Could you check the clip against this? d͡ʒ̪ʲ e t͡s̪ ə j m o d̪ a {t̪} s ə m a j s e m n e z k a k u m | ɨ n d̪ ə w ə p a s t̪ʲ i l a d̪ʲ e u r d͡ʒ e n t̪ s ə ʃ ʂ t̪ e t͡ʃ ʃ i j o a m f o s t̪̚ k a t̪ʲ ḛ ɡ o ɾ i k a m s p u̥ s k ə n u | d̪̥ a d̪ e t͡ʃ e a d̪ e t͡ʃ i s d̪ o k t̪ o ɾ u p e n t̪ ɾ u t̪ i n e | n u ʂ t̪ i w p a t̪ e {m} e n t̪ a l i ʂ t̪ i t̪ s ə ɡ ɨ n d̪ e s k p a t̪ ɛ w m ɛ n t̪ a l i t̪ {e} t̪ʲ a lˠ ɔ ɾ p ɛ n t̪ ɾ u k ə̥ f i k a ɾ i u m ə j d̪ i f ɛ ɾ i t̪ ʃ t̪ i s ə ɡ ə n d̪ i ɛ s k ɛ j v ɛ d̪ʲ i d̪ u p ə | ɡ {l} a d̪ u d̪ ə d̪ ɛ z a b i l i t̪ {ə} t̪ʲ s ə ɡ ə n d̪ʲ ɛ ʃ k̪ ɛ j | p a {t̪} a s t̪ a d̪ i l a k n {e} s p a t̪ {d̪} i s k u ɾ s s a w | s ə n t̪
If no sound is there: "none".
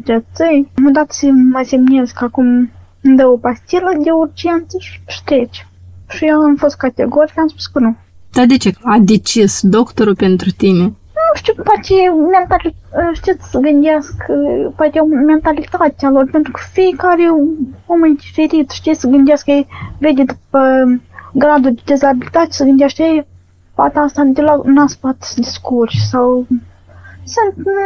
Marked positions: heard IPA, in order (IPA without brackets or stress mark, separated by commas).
t̪, m, a, ɾ, a, t̪, a, d̪